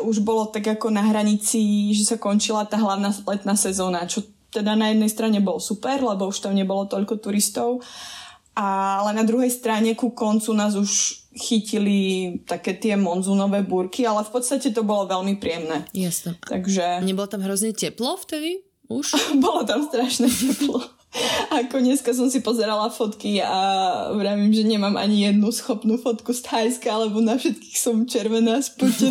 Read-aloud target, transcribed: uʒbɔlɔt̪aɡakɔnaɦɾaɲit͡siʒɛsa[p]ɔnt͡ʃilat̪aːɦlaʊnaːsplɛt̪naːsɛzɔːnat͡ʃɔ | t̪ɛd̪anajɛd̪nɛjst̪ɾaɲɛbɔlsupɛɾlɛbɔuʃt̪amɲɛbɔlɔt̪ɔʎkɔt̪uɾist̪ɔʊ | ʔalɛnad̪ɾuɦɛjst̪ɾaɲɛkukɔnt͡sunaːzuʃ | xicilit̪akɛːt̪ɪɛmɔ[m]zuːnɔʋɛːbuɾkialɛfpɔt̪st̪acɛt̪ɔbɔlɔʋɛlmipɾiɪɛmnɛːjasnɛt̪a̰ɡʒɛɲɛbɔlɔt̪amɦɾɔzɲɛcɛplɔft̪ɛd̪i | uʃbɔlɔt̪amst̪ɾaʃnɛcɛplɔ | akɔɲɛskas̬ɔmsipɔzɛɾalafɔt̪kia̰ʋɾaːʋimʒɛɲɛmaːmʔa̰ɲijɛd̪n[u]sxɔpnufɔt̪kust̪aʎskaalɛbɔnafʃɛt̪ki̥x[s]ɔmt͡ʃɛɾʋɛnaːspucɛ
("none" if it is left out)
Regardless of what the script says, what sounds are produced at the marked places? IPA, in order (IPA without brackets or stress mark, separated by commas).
k, n, u, s